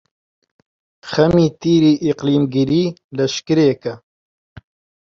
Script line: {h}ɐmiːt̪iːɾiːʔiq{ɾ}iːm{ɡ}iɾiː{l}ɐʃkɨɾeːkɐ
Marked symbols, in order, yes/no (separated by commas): no, no, yes, yes